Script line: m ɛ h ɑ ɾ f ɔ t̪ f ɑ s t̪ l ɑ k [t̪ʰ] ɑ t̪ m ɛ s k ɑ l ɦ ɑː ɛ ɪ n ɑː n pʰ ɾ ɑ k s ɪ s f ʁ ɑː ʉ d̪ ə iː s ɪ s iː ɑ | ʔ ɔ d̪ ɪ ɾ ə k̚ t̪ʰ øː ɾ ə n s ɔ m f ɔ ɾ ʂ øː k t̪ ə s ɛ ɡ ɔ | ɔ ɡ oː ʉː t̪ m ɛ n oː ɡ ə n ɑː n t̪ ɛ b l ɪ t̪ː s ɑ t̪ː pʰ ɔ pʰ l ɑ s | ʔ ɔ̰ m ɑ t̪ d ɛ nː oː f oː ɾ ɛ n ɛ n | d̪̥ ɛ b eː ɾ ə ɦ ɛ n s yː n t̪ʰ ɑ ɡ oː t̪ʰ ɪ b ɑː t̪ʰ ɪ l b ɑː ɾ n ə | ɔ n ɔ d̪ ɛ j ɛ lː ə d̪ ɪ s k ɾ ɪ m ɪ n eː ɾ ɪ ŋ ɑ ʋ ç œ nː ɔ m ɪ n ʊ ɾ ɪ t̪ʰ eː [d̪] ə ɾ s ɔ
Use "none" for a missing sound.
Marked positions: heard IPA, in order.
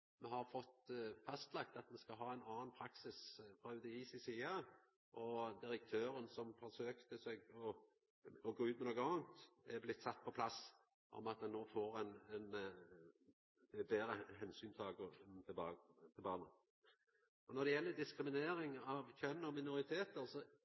t̪, t̪

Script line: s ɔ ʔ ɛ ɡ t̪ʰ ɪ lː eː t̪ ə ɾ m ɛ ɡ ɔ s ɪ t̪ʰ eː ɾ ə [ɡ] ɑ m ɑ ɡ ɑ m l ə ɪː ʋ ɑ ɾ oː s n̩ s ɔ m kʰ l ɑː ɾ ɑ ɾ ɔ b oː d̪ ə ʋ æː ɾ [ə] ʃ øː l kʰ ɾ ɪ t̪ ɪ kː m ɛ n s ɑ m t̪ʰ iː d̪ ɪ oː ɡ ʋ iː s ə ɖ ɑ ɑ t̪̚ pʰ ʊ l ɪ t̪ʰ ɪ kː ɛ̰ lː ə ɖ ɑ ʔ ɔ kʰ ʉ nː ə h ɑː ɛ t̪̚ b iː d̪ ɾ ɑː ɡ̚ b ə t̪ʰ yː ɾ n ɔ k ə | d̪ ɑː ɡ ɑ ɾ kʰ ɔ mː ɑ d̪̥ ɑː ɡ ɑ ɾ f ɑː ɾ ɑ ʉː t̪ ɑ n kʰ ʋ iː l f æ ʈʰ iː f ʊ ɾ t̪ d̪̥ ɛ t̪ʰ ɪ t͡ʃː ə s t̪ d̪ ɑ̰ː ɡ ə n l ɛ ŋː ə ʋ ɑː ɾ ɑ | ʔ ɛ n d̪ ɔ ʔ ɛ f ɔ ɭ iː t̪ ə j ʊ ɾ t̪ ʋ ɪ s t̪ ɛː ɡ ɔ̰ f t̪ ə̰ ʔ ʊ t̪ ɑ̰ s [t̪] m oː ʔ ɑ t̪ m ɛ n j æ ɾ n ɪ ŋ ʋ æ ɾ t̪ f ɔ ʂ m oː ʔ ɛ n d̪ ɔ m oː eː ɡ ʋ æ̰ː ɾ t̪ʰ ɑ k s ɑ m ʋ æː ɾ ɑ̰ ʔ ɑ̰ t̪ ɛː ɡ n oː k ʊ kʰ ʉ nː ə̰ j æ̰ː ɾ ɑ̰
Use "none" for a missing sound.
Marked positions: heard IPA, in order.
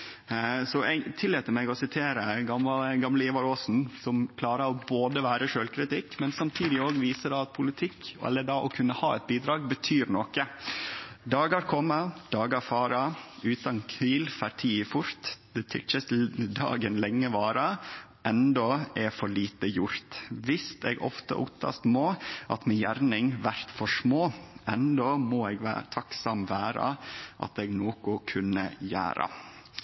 ɡ, ə, t̪

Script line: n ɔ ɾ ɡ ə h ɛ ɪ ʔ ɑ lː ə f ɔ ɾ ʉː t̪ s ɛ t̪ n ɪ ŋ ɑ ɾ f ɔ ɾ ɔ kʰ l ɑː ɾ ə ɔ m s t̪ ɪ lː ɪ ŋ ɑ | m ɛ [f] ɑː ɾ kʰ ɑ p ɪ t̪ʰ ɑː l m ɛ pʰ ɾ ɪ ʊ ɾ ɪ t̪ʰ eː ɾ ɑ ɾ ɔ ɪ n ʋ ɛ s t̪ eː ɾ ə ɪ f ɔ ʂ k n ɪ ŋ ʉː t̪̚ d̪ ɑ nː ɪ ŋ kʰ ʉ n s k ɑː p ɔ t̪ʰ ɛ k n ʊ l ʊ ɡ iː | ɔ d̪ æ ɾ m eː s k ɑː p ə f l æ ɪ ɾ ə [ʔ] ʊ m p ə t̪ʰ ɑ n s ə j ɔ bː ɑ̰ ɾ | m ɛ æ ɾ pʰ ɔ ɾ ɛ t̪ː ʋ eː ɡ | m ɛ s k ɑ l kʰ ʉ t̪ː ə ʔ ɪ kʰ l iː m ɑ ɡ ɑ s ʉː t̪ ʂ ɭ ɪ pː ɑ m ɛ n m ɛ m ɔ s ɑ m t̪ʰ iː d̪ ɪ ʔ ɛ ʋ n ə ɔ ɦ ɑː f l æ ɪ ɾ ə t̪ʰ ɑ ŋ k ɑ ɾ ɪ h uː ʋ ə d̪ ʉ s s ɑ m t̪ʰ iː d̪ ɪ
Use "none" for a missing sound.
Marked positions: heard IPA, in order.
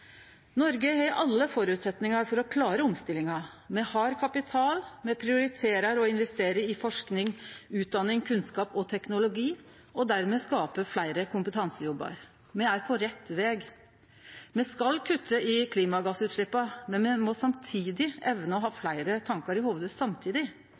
h, k

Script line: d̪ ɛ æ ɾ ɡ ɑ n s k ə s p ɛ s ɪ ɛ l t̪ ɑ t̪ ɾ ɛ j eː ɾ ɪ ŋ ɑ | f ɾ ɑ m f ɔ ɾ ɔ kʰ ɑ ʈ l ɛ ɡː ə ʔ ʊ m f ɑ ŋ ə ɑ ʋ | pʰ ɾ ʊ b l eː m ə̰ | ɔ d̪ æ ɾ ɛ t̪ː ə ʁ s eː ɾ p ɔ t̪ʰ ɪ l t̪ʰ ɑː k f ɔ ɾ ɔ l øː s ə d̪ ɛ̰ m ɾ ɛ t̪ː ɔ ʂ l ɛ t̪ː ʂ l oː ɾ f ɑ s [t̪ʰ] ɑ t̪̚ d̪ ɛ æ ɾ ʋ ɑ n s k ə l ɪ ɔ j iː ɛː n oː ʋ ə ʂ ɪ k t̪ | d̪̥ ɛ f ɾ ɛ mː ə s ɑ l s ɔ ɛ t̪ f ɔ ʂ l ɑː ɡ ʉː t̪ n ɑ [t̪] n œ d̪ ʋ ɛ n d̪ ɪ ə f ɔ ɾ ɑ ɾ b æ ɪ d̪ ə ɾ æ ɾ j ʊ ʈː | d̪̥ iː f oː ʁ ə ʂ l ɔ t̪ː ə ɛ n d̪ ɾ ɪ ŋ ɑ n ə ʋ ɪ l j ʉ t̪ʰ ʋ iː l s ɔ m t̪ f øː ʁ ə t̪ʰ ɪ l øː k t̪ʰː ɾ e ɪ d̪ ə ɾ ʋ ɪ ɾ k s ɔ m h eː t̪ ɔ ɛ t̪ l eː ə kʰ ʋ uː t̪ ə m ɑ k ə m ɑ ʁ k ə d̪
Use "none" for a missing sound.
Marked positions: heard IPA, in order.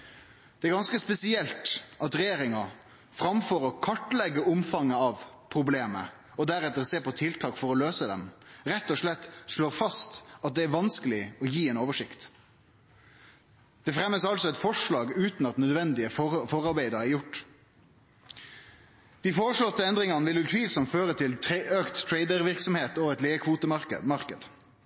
t̪, t̪

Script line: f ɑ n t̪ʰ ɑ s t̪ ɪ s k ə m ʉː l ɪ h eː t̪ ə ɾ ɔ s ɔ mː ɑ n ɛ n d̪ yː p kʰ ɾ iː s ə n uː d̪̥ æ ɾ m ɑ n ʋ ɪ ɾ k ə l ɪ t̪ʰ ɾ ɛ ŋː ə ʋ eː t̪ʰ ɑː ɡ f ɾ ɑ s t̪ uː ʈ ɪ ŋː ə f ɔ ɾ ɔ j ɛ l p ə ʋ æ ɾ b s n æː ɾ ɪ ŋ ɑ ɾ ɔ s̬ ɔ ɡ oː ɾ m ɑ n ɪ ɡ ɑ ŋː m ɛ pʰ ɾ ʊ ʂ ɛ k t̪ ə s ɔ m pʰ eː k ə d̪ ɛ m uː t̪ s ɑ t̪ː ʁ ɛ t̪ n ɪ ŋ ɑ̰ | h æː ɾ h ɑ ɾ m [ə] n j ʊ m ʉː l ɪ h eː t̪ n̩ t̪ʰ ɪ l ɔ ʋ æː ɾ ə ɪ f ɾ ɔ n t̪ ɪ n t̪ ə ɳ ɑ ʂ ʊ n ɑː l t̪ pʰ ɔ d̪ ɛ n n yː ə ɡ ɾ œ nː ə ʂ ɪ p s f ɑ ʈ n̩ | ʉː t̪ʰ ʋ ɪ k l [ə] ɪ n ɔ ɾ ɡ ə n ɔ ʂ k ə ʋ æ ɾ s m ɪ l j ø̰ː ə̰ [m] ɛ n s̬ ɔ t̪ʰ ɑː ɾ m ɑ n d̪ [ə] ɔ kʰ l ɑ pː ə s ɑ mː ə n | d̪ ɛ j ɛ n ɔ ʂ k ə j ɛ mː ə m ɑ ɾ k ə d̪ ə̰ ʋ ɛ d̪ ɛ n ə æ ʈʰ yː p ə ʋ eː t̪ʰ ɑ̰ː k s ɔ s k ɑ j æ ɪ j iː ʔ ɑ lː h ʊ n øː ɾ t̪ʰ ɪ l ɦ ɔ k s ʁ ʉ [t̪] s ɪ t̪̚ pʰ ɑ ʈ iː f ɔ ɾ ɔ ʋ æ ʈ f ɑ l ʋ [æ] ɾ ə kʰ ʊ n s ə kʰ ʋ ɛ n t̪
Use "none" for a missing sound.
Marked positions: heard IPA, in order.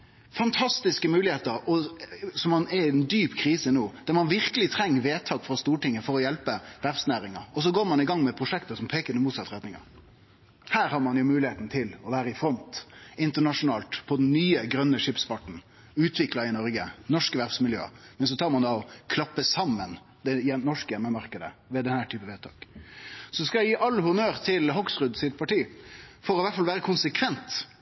ɑ, ɑ, m, ɑ, d̪, æː

